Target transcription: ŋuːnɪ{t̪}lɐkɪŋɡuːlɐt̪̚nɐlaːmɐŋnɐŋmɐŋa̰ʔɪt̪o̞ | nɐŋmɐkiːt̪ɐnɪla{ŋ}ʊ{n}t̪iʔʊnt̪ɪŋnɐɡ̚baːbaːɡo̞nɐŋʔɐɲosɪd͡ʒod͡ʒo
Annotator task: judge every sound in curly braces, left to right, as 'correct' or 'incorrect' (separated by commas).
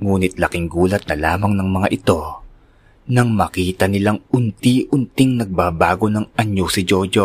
correct, correct, correct